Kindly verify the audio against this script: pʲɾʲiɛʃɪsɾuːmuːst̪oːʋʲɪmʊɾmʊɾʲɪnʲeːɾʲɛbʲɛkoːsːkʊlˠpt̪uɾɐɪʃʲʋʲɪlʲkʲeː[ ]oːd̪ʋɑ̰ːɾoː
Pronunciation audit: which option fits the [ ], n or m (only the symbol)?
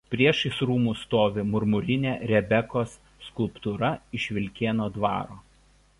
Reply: n